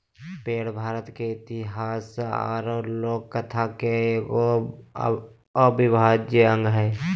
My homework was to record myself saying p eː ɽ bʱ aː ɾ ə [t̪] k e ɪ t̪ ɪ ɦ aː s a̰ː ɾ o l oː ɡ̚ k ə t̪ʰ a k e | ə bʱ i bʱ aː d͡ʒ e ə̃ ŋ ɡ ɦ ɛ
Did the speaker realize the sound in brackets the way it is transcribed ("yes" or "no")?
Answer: yes